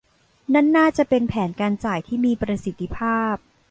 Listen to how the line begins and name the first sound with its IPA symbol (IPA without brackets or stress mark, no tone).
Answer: n